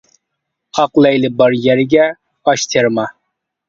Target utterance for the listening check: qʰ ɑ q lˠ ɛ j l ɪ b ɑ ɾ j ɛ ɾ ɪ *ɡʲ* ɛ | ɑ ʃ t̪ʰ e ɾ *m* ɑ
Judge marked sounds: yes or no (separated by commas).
yes, yes